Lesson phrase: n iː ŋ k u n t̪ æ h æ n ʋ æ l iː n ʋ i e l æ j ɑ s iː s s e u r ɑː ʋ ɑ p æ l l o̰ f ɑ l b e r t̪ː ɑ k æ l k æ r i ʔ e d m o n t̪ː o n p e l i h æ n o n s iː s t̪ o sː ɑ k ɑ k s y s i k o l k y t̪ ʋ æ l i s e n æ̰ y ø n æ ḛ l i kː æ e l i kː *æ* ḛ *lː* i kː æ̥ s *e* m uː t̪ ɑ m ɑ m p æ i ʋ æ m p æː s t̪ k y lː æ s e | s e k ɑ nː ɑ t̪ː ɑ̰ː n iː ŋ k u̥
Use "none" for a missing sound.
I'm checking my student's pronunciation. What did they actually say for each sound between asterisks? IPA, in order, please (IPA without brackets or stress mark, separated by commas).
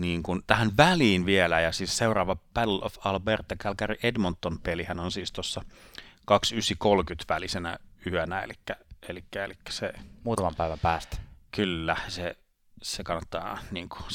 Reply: æ, l, e